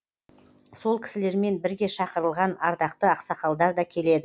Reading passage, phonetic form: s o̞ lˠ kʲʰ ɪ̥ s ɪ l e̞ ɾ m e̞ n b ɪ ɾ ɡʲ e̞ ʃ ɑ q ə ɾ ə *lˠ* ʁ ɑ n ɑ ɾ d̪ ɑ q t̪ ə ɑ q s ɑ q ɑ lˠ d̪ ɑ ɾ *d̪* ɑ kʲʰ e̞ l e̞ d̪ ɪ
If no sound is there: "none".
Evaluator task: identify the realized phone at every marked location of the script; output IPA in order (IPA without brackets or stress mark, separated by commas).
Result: lˠ, d̪